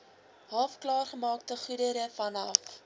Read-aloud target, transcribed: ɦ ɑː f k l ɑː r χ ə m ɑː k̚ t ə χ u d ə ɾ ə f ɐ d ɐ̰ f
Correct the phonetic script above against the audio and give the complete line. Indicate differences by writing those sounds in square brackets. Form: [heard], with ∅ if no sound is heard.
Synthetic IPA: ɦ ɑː f k l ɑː r χ ə m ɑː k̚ t ə χ u d ə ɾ ə f ɐ [n] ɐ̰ f